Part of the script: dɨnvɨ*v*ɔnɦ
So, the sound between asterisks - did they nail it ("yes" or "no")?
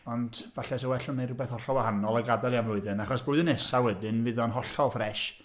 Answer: no